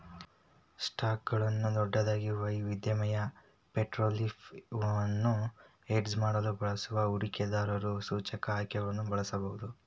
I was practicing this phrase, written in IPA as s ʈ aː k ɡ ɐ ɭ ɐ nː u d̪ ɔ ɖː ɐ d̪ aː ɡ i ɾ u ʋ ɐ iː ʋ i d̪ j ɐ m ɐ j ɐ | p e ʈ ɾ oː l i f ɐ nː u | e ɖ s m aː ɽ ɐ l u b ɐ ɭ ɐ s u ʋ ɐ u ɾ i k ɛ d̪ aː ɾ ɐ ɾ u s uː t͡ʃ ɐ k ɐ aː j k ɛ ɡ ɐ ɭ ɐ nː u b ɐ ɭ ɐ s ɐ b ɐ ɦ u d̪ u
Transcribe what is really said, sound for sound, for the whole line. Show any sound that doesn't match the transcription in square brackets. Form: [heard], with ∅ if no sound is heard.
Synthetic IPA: s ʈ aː k ɡ ɐ ɭ ɐ nː u d̪ ɔ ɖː ɐ d̪ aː ɡ i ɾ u ʋ ɐ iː ʋ i d̪ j ɐ m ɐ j ɐ | p e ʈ ɾ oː l i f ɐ nː u | e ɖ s m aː ɽ ɐ l u b ɐ ɭ ɐ s u ʋ ɐ u ɾ i k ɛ d̪ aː ɾ ɐ ɾ u s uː t͡ʃ ɐ k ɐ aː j k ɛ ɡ ɐ ɭ ɐ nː u b ɐ ɭ ɐ s ɐ b ɐ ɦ u d̪ u